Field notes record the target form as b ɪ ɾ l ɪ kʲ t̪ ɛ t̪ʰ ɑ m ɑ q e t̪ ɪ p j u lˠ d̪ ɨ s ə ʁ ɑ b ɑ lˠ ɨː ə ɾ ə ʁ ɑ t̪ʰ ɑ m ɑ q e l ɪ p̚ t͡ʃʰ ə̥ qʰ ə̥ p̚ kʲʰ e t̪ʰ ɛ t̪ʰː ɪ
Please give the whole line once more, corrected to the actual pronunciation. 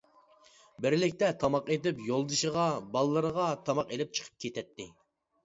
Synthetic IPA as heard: b ɪ ɾ l ɪ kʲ t̪ ɛ t̪ʰ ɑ m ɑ q e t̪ ɪ p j o lˠ d̪ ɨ ʃ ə ʁ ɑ b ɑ lˠ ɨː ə ɾ ə ʁ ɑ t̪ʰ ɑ m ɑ q e l ɪ p̚ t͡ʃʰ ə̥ qʰ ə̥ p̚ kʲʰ e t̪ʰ ɛ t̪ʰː ɪ